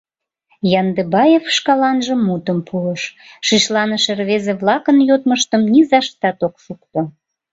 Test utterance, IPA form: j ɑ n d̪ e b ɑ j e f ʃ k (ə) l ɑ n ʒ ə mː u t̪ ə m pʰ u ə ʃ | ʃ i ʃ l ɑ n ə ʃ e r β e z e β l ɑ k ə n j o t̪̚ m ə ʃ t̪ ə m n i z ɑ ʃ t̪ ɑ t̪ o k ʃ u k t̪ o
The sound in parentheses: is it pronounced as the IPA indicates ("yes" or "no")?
no